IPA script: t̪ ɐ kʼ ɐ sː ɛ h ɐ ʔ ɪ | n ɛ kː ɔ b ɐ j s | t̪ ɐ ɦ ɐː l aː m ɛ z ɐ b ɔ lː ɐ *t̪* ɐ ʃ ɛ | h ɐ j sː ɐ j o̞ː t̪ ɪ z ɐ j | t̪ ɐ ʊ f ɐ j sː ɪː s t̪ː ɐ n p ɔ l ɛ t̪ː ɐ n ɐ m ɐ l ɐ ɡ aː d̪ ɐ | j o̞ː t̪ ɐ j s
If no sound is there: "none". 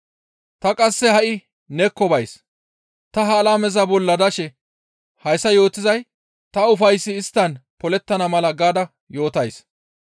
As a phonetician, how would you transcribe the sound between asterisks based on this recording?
d̪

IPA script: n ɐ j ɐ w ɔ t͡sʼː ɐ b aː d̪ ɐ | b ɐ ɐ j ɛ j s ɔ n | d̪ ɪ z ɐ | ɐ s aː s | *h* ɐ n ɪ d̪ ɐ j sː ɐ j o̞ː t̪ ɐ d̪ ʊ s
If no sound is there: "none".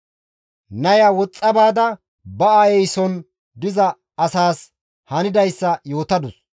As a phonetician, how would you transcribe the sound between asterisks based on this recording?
h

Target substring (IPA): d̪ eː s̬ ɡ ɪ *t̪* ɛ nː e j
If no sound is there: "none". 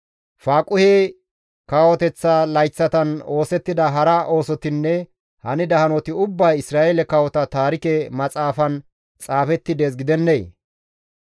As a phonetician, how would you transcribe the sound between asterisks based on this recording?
d̪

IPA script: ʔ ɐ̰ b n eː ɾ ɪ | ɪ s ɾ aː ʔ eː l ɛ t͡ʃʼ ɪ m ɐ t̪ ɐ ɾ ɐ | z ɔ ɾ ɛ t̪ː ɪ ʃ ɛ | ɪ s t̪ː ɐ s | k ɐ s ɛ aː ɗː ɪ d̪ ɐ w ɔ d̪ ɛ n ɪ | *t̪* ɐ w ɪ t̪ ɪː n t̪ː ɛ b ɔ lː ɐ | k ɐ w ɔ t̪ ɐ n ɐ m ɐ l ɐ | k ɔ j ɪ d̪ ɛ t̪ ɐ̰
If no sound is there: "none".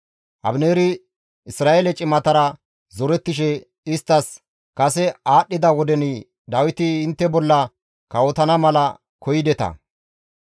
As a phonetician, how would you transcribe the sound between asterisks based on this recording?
d̪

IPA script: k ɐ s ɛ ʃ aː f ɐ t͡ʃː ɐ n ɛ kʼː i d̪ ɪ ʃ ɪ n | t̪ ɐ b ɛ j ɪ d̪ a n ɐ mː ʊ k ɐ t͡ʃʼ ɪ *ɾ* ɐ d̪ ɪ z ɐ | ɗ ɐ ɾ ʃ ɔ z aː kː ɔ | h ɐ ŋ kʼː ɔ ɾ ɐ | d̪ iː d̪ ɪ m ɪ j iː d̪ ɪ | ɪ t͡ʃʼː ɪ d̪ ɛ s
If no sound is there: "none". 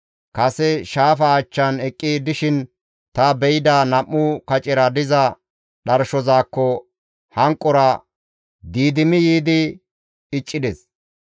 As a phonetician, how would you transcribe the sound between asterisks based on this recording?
ɾ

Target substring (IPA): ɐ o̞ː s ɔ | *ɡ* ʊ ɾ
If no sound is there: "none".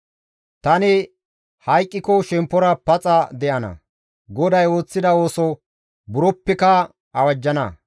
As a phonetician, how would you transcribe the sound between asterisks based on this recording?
b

